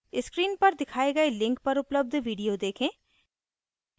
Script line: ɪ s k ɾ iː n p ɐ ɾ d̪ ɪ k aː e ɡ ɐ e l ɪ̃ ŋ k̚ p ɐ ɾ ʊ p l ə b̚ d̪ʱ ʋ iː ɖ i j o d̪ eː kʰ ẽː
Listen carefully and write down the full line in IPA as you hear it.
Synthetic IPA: ɪ s k ɾ iː n p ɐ ɾ d̪ ɪ kʰ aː e ɡ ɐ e l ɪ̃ ŋ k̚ p ɐ ɾ ʊ p l ə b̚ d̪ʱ ʋ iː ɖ i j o d̪ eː kʰ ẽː